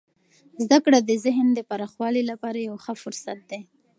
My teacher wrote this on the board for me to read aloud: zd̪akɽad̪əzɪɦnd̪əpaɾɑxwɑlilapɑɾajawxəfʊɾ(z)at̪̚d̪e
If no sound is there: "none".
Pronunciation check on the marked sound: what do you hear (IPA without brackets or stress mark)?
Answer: s